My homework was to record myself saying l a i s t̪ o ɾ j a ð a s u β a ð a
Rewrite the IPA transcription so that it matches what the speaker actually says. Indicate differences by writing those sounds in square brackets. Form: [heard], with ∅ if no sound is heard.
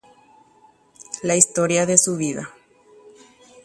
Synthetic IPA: l a i s t̪ o ɾ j a ð [e] s u β [i] ð a